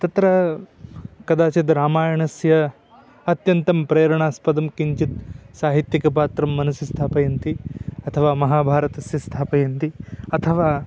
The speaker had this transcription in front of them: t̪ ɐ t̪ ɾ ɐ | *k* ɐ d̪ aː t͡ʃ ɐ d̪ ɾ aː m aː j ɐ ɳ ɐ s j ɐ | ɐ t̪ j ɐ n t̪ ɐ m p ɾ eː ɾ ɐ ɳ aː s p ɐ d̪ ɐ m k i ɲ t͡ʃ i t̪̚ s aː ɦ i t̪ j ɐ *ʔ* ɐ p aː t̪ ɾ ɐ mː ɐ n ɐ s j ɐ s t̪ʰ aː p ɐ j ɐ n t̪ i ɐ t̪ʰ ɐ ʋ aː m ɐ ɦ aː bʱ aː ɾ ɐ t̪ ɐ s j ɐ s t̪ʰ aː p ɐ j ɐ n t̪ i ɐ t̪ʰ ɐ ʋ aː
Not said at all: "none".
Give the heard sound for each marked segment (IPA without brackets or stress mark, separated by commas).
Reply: k, k